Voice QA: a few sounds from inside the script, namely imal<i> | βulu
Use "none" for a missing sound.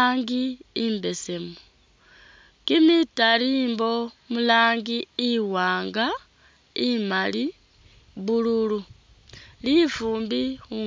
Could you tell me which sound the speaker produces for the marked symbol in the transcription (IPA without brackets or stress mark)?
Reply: i